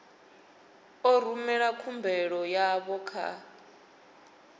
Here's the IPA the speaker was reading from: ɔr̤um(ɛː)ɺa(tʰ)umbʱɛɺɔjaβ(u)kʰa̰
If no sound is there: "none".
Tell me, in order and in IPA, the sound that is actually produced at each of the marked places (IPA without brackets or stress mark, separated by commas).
ɛ, kʰ, ɔ